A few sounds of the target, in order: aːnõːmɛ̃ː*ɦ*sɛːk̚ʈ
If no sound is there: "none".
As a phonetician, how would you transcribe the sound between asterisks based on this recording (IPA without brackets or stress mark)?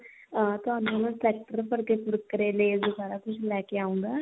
none